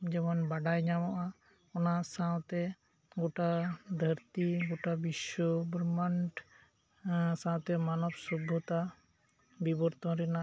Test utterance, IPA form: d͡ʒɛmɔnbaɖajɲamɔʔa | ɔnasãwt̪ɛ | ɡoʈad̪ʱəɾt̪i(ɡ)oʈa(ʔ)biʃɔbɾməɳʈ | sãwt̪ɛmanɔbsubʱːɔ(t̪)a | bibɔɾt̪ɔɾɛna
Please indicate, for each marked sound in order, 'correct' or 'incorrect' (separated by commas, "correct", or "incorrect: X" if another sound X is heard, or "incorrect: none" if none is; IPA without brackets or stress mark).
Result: correct, incorrect: none, correct